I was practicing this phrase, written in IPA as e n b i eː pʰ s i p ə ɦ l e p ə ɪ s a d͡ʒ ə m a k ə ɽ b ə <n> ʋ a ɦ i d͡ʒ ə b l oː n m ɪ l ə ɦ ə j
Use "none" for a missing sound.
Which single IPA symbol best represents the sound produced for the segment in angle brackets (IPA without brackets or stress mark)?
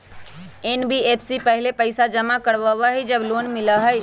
none